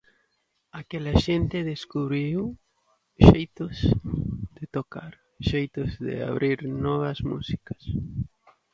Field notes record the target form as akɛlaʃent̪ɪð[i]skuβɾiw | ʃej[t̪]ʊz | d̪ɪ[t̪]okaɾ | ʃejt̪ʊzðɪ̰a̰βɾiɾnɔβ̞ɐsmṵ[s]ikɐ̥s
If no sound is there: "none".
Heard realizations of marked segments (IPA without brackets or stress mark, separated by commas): e, t̪, t̪, s